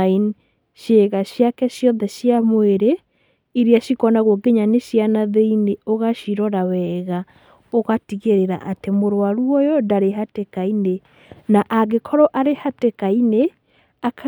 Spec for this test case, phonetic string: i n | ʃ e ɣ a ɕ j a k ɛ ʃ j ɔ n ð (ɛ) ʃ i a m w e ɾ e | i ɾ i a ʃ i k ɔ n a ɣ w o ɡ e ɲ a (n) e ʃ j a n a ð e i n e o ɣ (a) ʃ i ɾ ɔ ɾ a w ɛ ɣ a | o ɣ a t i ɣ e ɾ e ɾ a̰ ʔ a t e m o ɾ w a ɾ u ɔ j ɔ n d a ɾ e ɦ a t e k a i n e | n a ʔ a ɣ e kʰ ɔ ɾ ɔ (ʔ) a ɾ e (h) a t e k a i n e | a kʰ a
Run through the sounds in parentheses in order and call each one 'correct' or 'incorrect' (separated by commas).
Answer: correct, correct, correct, correct, correct